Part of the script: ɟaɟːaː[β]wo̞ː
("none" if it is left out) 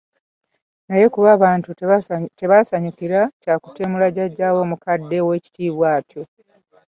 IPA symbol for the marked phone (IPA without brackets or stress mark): none